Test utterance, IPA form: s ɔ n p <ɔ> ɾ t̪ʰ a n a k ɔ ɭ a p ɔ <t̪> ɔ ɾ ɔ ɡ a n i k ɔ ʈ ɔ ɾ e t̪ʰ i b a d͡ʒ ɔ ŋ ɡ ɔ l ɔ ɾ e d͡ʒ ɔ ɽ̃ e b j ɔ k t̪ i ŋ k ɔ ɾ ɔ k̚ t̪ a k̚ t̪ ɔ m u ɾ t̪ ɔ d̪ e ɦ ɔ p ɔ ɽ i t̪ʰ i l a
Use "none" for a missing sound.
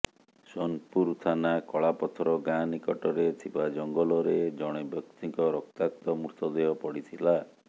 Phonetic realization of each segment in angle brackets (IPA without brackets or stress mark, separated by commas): u, t̪ʰ